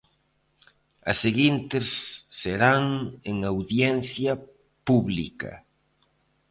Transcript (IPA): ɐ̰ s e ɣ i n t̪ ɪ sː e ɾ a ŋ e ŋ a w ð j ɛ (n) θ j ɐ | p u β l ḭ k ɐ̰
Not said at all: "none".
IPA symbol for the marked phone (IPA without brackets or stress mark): n